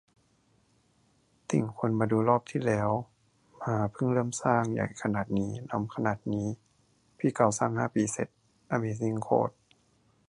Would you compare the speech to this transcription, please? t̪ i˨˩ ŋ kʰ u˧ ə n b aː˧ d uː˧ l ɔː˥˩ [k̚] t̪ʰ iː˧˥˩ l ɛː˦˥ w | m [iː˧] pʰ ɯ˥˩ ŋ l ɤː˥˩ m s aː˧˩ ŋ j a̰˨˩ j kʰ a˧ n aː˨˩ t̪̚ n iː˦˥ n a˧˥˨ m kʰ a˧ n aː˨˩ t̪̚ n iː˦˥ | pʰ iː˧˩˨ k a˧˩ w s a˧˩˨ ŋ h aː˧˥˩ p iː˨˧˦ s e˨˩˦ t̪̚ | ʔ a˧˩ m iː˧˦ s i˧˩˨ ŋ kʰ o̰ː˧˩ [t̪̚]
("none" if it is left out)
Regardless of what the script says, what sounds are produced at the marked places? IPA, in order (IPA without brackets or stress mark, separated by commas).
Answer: p̚, aː˧, t̪̚